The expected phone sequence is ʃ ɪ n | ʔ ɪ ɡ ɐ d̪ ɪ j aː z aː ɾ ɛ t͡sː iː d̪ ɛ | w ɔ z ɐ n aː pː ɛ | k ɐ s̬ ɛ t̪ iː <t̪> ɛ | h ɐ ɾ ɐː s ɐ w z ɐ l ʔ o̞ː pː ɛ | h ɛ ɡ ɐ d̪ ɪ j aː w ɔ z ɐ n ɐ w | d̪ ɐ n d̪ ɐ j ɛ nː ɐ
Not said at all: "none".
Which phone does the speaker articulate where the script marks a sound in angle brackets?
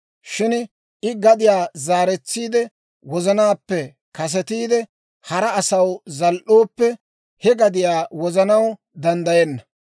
d̪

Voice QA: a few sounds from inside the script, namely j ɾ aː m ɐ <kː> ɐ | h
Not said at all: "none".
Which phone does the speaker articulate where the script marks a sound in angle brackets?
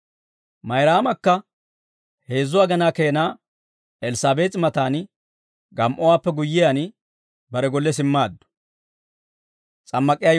kː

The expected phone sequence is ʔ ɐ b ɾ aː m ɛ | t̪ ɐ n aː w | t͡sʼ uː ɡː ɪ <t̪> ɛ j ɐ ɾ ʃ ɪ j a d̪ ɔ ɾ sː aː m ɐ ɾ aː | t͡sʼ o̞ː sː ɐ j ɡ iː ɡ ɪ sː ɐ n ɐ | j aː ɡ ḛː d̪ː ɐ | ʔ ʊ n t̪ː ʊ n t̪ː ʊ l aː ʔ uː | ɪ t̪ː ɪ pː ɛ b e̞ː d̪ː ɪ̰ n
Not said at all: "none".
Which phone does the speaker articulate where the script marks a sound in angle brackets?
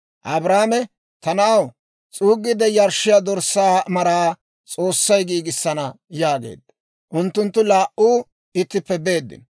d̪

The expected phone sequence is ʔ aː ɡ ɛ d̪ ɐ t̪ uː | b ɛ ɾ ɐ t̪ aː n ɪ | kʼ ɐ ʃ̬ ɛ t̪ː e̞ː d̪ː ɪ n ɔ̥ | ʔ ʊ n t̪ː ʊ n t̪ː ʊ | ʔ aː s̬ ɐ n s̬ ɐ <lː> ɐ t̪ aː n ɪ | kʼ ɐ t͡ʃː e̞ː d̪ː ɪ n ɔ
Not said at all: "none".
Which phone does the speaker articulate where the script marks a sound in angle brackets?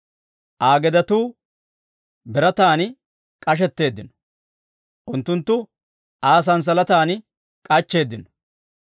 l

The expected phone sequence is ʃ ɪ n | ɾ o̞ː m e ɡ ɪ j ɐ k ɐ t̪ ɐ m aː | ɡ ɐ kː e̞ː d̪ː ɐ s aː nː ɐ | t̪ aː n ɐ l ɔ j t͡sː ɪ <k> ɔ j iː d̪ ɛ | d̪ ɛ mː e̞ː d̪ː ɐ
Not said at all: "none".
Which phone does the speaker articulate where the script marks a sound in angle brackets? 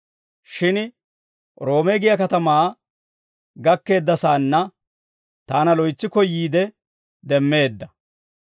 k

